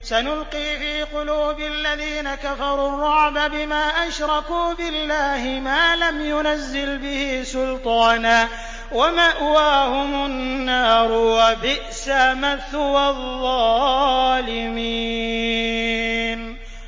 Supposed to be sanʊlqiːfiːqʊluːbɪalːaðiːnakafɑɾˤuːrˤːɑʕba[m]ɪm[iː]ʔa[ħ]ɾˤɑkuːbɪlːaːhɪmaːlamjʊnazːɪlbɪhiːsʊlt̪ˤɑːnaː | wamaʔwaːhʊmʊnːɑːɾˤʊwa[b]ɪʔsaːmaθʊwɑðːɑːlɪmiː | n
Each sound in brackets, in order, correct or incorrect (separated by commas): incorrect, incorrect, incorrect, correct